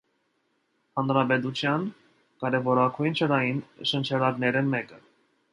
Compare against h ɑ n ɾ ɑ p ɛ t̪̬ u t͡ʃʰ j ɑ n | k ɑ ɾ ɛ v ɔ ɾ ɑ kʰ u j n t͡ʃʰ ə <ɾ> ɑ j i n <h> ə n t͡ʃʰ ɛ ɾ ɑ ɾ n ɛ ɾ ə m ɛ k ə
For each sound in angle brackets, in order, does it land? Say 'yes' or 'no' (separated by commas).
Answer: yes, no